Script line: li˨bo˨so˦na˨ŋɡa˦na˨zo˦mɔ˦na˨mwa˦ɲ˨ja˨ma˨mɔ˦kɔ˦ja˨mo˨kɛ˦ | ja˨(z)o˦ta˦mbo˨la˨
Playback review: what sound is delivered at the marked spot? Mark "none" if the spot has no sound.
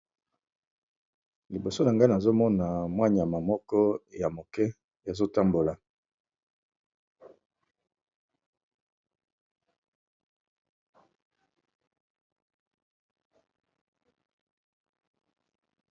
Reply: z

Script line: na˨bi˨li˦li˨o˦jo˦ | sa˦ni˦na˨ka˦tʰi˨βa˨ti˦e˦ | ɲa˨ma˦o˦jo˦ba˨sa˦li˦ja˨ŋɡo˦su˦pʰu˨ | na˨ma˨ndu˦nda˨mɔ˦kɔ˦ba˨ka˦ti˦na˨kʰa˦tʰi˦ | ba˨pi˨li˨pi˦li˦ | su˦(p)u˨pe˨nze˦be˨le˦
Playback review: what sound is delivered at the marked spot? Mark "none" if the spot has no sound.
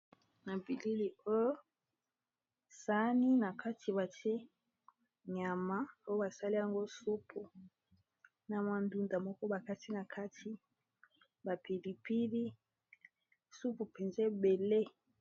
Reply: p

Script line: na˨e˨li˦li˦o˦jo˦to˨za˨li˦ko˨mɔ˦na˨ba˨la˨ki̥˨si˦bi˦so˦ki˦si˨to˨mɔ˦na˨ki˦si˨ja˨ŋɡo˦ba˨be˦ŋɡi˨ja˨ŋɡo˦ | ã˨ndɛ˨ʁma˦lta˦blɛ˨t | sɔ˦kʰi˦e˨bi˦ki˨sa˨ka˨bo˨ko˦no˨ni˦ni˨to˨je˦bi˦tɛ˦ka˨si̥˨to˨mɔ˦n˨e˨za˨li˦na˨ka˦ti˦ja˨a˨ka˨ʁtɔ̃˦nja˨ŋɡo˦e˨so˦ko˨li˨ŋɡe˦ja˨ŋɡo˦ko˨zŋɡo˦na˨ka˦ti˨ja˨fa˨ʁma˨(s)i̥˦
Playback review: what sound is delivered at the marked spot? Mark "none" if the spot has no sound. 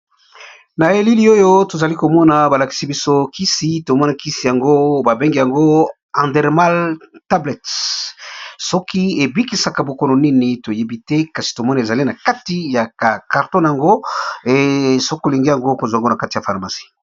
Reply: s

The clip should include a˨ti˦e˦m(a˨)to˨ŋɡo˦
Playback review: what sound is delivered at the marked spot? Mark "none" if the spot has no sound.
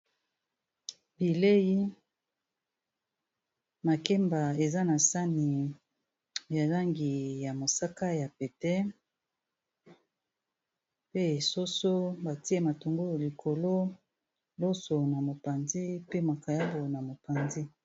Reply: a˨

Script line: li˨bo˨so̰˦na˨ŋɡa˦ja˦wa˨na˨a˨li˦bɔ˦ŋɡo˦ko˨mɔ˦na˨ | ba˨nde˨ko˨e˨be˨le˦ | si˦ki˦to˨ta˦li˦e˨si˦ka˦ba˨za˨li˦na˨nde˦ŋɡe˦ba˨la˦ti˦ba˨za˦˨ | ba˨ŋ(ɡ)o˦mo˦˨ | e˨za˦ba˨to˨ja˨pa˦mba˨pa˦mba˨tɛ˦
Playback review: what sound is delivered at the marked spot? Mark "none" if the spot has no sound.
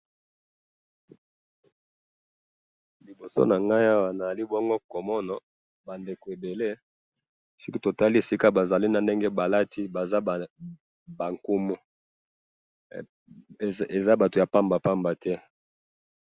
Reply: k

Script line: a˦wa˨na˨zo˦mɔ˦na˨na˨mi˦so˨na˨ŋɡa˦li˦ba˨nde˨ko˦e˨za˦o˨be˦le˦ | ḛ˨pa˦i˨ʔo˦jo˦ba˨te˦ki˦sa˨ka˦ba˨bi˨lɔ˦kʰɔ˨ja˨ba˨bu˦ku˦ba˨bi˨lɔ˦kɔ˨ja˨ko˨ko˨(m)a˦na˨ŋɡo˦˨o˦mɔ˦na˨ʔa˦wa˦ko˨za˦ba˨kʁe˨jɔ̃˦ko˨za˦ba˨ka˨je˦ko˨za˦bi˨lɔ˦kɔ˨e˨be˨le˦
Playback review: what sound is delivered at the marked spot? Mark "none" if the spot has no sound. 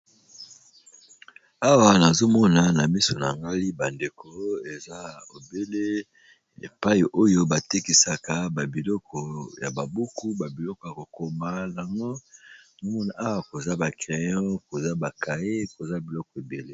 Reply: m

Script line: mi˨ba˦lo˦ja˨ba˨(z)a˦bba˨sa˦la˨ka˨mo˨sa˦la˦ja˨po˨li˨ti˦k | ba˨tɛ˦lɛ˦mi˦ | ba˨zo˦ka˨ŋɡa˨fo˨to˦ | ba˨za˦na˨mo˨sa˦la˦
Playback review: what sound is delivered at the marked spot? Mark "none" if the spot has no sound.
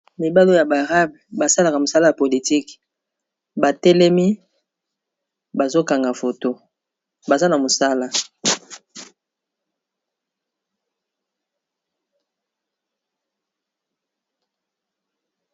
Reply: ʁ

